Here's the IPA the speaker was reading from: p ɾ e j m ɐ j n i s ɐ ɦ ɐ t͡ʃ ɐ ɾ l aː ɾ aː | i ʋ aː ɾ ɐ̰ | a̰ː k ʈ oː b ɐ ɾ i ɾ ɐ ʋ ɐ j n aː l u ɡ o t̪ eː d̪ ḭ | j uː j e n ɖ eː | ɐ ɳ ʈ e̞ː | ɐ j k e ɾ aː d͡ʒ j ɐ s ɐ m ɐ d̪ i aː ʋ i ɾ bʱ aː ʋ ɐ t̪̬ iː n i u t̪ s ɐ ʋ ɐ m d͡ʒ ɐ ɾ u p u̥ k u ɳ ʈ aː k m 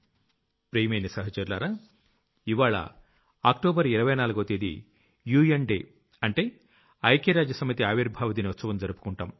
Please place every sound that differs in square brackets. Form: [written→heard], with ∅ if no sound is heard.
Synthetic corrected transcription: p ɾ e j m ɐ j n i s ɐ ɦ ɐ t͡ʃ ɐ ɾ l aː ɾ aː | i ʋ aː [ɾ→ɭ] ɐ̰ | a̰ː k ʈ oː b ɐ ɾ i ɾ ɐ ʋ ɐ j n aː l u ɡ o t̪ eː d̪ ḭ | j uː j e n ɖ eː | ɐ ɳ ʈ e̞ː | ɐ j k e ɾ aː d͡ʒ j ɐ s ɐ m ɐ [d̪→t̪] i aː ʋ i ɾ bʱ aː ʋ ɐ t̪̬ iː n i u t̪ s ɐ ʋ ɐ m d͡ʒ ɐ ɾ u p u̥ k u ɳ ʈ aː [k→∅] m